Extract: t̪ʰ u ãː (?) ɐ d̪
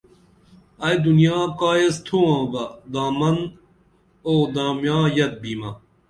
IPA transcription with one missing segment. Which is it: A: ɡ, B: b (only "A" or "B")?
B